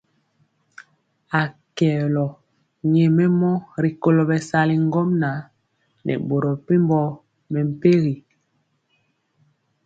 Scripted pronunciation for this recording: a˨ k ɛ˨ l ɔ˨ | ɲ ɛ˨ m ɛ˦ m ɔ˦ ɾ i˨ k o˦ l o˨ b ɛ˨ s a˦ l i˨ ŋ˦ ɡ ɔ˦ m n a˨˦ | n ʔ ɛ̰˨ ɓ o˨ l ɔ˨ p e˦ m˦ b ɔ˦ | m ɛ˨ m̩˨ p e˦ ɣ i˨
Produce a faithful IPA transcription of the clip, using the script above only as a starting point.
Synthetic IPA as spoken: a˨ k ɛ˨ l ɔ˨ | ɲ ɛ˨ m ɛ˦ m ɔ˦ ɾ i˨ k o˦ l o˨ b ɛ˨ s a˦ l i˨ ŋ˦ ɡ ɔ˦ m n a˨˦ | n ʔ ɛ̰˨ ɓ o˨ ɾ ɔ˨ p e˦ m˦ b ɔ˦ | m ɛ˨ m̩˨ p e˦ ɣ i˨